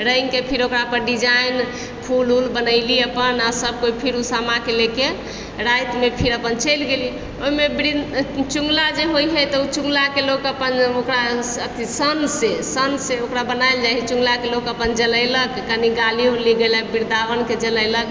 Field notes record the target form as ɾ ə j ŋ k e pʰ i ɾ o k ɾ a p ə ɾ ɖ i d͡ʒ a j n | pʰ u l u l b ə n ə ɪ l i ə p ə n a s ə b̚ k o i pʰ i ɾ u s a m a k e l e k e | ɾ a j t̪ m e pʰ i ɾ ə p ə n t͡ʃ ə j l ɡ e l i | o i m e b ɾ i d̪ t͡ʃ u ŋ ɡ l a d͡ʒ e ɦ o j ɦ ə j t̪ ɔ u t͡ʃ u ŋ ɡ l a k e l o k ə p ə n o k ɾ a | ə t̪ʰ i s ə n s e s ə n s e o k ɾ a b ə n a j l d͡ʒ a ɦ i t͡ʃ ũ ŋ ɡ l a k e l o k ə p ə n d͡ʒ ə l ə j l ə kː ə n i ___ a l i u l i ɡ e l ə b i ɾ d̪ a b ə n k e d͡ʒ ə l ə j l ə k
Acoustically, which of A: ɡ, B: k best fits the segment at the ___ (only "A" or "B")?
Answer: A